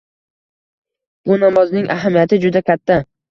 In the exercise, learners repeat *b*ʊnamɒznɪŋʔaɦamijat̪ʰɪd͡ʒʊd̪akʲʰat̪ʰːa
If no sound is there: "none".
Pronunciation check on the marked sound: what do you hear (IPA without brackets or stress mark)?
b